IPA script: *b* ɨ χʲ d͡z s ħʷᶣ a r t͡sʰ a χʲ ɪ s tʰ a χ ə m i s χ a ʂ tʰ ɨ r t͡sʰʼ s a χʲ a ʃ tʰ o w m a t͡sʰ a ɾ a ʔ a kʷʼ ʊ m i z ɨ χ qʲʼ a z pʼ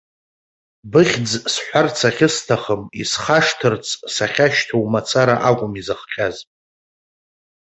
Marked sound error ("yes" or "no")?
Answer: no